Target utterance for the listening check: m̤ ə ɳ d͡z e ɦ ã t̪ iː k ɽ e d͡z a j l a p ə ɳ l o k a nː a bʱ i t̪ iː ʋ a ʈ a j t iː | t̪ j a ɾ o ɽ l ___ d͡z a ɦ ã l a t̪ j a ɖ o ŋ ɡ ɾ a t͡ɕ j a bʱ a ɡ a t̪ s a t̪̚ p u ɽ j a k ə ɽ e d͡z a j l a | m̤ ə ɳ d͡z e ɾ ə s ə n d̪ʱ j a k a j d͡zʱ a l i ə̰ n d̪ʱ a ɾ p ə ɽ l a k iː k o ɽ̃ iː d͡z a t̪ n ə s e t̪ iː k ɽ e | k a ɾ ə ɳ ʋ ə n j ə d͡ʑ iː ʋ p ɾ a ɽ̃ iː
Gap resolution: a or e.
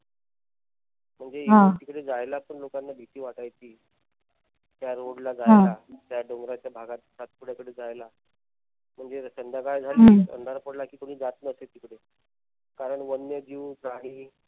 a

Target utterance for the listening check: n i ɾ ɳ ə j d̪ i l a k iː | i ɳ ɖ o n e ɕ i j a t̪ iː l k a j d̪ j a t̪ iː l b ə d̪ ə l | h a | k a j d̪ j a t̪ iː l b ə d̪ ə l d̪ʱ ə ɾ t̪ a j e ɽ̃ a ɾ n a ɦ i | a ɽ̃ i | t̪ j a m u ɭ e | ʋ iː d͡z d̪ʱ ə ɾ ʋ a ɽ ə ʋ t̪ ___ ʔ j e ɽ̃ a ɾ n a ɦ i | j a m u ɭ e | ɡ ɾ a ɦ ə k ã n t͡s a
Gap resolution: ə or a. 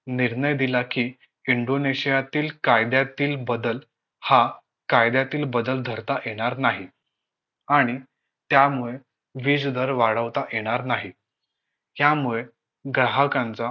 a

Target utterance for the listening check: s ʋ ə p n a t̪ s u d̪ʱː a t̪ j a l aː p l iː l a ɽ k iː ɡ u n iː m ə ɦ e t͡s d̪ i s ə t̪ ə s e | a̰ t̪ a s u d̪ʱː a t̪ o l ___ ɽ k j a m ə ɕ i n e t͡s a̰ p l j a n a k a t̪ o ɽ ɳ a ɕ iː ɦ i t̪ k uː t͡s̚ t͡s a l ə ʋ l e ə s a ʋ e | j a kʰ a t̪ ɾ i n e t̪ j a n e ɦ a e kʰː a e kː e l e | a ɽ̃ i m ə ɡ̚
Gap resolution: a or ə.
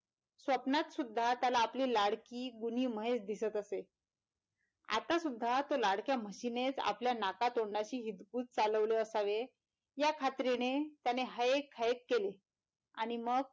a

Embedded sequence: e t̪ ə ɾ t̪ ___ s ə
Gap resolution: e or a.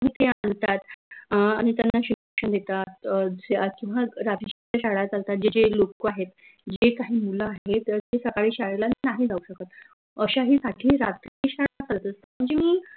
e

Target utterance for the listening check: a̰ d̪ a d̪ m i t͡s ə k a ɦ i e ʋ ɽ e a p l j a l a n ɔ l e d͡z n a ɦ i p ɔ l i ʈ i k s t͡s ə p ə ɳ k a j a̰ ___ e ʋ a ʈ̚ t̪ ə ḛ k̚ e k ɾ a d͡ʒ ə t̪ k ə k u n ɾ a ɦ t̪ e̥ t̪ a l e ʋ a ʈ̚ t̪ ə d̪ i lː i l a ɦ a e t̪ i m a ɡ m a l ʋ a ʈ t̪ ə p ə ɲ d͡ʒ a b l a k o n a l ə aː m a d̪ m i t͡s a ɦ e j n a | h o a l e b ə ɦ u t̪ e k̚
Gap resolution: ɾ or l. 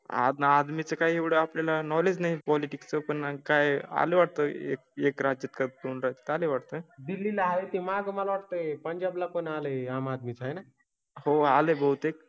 l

